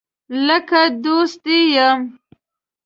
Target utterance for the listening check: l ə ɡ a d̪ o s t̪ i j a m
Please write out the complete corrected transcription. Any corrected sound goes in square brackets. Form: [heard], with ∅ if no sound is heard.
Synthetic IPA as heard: l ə [k] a d̪ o s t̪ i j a m